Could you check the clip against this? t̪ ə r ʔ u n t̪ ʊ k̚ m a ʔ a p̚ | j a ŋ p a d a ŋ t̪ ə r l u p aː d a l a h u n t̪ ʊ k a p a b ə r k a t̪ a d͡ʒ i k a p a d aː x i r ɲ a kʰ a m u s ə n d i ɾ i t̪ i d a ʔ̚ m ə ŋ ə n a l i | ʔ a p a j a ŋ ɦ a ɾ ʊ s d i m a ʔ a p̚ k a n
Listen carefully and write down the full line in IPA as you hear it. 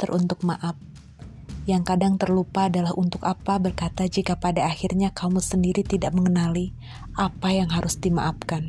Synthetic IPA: t̪ ə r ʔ u n t̪ ʊ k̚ m a ʔ a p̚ | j a ŋ k a d a ŋ t̪ ə r l u p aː d a l a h u n t̪ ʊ k a p a b ə r k a t̪ a d͡ʒ i k a p a d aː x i r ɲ a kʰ a m u s ə n d i ɾ i t̪ i d a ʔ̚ m ə ŋ ə n a l i | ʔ a p a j a ŋ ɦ a ɾ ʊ s d i m a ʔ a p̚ k a n